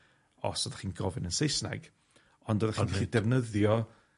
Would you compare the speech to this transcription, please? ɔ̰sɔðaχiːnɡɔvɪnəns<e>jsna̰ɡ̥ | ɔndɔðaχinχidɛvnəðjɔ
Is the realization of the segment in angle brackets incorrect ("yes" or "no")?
no